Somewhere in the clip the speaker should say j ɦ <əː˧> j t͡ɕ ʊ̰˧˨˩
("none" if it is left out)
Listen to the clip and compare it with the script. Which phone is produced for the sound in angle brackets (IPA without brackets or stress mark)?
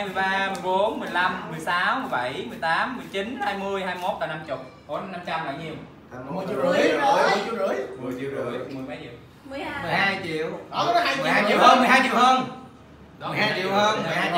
aː˧